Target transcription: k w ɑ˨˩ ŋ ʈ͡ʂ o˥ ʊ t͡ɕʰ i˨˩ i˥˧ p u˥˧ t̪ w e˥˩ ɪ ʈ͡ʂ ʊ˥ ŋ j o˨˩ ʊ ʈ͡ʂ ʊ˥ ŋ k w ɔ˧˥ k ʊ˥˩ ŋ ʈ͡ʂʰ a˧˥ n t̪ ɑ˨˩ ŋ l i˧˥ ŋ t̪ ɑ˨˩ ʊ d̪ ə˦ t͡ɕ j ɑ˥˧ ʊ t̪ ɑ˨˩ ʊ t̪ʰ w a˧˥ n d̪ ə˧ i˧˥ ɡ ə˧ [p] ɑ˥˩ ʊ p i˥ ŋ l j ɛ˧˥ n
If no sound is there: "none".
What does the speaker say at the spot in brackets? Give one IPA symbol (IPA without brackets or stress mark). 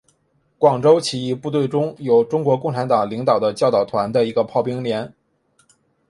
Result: pʰ